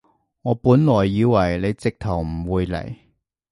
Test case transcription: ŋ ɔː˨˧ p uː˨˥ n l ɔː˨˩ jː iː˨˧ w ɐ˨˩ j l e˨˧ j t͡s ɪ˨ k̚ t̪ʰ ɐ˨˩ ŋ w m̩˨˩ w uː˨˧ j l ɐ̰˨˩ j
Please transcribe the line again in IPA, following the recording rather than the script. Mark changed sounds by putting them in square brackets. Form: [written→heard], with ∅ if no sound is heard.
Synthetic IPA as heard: ŋ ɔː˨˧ p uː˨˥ n l ɔː˨˩ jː iː˨˧ w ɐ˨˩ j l e˨˧ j t͡s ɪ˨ k̚ t̪ʰ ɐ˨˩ [ŋ→∅] w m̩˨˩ w uː˨˧ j l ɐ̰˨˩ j